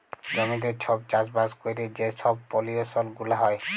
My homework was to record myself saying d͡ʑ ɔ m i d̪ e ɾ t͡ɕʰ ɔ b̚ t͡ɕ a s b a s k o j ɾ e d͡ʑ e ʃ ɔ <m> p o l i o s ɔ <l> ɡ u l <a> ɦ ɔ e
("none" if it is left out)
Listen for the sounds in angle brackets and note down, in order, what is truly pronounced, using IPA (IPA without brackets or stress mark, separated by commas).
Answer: b, l, a